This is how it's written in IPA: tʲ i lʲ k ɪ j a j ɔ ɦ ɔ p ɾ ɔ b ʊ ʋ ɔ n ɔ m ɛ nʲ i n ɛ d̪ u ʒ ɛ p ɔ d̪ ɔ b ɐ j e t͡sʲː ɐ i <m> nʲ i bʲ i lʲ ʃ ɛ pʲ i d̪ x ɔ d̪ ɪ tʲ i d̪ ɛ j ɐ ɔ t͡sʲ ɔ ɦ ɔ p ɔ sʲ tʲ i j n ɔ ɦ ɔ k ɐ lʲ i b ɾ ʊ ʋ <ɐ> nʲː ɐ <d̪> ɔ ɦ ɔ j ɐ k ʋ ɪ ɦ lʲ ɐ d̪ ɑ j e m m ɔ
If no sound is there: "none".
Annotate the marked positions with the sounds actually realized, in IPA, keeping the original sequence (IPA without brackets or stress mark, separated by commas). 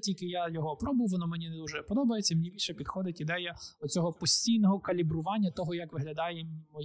m, ɑ, t̪